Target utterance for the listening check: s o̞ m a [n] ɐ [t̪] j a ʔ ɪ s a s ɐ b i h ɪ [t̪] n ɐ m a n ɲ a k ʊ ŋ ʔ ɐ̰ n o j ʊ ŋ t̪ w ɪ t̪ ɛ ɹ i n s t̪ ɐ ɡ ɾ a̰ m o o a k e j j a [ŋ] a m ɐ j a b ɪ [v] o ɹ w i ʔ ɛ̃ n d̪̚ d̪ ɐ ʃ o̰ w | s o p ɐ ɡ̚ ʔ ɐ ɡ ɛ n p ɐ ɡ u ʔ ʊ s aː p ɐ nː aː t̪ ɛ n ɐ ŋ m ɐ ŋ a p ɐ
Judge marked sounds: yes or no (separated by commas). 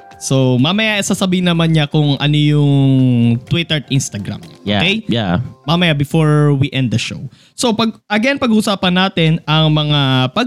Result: no, no, no, no, no